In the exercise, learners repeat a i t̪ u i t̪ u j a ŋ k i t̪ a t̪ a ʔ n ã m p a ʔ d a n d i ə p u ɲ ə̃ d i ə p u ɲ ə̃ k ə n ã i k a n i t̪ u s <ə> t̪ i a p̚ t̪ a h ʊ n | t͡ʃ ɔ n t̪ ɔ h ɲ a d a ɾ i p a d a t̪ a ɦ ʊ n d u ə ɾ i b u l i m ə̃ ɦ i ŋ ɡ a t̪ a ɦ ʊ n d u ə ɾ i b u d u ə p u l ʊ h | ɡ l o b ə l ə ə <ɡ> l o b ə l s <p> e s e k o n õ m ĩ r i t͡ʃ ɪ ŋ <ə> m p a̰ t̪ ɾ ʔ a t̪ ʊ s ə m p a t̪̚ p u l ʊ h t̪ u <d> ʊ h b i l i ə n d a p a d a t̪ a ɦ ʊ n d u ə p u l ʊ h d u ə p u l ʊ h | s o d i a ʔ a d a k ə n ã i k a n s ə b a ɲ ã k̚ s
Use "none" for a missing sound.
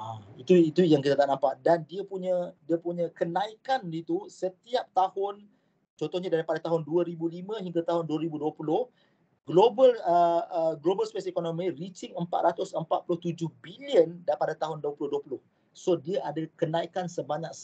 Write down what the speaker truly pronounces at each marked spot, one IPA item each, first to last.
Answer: ə, ɡ, p, ə, d͡ʒ

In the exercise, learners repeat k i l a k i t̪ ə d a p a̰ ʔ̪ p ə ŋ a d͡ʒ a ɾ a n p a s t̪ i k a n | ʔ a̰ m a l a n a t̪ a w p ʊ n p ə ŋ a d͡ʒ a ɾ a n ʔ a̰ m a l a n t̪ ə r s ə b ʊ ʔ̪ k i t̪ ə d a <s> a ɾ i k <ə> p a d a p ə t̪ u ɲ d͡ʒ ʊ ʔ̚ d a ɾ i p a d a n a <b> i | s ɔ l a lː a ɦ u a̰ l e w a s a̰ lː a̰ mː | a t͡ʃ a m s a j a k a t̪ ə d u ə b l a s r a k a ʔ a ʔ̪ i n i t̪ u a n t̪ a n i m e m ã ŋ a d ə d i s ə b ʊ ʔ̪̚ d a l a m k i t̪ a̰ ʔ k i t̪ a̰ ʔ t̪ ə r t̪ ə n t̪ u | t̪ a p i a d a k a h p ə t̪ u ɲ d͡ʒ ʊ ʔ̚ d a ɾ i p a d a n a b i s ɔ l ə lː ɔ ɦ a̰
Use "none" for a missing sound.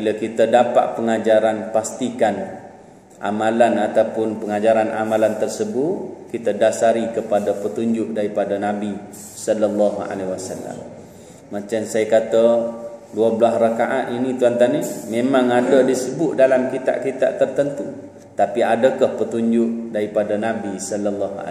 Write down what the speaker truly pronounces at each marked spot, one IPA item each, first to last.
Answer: s, ə, b

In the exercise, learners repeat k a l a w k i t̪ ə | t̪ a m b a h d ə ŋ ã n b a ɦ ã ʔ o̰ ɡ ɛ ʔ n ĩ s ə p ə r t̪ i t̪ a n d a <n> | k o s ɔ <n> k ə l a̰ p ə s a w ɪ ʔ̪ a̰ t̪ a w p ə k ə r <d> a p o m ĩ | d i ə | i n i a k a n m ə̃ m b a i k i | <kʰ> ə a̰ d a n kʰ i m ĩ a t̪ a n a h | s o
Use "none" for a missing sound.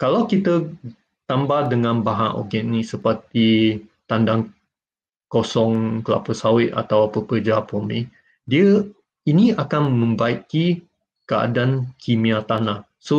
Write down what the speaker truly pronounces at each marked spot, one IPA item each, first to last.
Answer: ŋ, ŋ, d͡ʒ, k

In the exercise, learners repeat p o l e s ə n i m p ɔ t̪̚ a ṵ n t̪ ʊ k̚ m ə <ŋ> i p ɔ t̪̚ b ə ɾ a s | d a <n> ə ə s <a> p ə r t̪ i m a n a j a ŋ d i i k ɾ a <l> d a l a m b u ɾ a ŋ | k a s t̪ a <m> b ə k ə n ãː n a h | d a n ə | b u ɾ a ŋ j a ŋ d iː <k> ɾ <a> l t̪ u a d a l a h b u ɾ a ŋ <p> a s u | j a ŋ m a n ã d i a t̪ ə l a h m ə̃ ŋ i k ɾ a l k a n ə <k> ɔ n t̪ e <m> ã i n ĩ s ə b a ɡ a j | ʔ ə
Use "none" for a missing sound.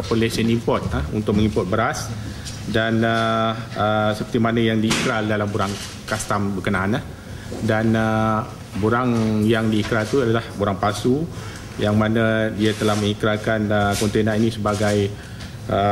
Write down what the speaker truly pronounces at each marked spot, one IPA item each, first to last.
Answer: ŋ, n, ə, l, m, k, a, p, k, n

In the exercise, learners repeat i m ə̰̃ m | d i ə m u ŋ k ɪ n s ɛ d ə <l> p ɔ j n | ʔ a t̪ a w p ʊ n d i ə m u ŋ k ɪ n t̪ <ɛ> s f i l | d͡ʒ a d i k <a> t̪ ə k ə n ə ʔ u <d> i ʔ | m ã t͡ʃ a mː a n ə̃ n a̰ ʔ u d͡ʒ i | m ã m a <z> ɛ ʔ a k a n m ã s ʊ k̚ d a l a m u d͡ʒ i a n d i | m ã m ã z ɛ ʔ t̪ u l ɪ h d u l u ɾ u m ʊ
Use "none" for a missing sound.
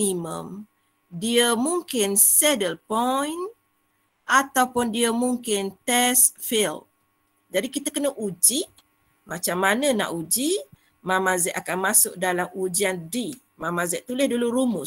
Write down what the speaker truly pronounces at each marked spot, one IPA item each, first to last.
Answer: l, ɛ, i, d͡ʒ, z

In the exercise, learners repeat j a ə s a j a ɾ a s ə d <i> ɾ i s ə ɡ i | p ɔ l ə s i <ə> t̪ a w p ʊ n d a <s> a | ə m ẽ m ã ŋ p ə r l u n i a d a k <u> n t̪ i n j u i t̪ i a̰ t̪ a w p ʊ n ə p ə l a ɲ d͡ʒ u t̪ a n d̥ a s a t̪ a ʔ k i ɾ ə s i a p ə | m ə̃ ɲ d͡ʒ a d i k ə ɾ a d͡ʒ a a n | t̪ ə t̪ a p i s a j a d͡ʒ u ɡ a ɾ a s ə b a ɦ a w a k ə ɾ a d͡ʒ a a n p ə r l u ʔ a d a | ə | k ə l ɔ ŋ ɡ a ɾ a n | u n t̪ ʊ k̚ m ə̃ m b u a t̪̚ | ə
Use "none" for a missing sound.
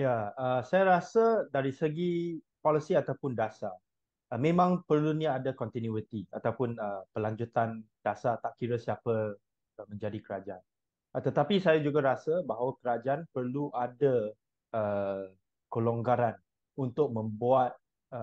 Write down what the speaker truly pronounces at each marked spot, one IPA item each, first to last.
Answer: a, a, s, ɔ

